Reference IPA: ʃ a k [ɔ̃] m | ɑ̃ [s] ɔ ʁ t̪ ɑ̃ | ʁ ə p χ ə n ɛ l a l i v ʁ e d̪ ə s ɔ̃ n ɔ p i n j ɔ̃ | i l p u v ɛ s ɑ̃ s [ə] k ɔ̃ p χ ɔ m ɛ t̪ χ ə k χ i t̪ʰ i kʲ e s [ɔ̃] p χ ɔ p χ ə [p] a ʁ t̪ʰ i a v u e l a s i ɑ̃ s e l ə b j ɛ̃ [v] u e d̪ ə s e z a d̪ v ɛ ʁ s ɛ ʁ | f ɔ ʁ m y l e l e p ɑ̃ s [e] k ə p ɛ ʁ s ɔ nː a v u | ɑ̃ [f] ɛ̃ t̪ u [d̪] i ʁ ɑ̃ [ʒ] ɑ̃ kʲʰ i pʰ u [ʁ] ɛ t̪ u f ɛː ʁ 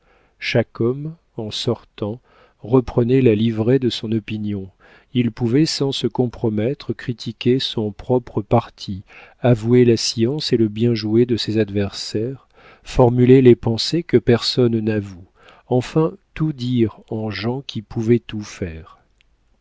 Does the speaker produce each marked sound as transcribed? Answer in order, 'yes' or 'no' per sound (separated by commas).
no, yes, yes, yes, yes, no, yes, yes, yes, yes, no